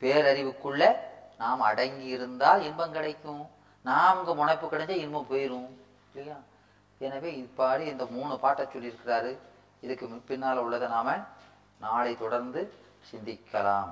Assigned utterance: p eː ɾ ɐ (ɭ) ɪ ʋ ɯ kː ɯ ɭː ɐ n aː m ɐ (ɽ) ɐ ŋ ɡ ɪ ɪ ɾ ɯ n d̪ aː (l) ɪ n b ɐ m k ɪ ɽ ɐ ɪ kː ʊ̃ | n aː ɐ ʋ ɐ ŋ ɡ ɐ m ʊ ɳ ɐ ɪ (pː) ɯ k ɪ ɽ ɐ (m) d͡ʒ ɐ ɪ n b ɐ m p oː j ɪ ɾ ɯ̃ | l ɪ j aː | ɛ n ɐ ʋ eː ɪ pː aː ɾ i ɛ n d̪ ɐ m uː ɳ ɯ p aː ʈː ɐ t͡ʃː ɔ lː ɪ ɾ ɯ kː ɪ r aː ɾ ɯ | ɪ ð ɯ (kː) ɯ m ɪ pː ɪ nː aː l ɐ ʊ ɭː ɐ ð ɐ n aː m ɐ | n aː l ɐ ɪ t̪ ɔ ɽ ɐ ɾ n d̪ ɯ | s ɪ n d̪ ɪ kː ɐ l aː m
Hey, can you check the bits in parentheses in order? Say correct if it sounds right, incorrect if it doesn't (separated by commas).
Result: incorrect, correct, correct, correct, incorrect, correct